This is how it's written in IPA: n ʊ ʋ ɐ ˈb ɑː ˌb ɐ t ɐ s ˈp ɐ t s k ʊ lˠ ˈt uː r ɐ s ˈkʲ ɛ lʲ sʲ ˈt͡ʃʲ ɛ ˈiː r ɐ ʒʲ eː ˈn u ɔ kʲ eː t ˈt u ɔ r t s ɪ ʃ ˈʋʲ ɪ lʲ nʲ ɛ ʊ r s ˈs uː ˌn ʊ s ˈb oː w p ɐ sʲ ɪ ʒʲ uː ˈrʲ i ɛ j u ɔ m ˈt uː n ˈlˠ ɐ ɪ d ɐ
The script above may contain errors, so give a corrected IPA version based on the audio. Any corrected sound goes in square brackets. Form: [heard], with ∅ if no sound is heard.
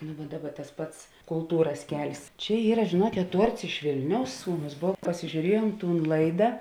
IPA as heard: n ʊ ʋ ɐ [ˈd] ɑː ˌb ɐ t ɐ s ˈp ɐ t s k ʊ lˠ ˈt uː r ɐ s ˈkʲ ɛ lʲ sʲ ˈt͡ʃʲ ɛ ˈiː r ɐ ʒʲ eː ˈn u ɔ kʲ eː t ˈt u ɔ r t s ɪ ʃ ˈʋʲ ɪ lʲ nʲ ɛ ʊ [∅] s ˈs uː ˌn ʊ s ˈb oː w p ɐ sʲ ɪ ʒʲ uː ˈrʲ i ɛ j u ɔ m ˈt uː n ˈlˠ ɐ ɪ d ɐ